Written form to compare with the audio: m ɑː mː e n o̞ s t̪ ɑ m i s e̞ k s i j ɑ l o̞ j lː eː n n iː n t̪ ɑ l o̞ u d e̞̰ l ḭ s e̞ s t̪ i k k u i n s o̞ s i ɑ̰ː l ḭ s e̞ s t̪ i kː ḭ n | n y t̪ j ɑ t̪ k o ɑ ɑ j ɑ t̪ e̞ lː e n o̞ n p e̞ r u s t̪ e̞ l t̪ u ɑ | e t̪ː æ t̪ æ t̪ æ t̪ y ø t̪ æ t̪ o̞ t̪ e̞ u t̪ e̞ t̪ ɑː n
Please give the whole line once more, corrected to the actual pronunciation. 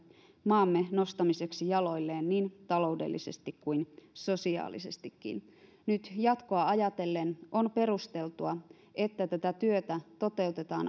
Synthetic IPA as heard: m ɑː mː e n o̞ s t̪ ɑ m i s e̞ k s i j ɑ l o̞ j lː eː n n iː n t̪ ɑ l o̞ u d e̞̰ lː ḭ s e̞ s t̪ i k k u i n s o̞ s i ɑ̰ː l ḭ s e̞ s t̪ i kː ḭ n | n y t̪ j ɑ t̪ k o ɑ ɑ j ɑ t̪ e̞ lː e n o̞ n p e̞ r u s t̪ e̞ l t̪ u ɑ | e t̪ː æ t̪ æ t̪ æ t̪ y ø t̪ æ t̪ o̞ t̪ e̞ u t̪ e̞ t̪ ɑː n